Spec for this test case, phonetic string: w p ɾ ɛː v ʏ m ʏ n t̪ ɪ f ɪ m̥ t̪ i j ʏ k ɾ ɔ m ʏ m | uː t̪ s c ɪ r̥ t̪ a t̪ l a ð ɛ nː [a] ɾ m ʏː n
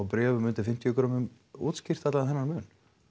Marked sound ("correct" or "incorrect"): correct